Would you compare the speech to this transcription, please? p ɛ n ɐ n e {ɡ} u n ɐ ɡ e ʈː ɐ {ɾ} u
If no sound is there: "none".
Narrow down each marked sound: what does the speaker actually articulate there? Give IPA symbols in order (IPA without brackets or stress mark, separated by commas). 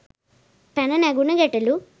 ɡ, l